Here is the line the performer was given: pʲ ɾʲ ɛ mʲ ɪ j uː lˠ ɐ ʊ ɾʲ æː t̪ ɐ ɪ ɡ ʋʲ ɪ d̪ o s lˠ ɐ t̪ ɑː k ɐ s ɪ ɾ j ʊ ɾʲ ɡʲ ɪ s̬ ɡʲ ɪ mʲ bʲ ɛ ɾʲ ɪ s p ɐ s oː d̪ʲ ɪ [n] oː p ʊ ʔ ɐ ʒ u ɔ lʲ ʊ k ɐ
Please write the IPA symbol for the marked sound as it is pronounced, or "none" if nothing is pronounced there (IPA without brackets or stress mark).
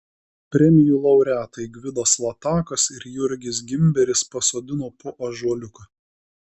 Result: n